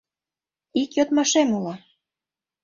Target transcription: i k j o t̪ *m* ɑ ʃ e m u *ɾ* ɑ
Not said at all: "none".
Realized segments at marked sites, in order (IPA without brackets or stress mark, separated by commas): m, l